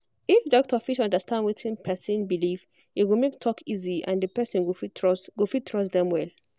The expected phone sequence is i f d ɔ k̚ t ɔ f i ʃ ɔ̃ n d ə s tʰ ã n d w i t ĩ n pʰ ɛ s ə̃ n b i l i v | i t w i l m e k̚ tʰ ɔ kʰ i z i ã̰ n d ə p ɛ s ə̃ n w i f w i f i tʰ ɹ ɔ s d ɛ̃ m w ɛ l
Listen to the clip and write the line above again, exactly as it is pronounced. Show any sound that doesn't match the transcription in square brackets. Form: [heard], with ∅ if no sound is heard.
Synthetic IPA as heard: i f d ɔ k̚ t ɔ f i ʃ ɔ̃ n d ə s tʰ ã n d w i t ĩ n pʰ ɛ s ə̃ n b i l i v | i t w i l m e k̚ tʰ ɔ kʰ i z i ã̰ n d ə p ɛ s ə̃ n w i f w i f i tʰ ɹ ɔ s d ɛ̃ m w ɛ l